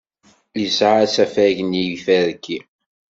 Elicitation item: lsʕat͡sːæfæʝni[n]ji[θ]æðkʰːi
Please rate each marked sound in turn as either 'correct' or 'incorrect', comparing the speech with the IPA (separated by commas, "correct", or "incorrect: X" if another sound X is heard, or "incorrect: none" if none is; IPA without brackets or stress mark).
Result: incorrect: none, incorrect: f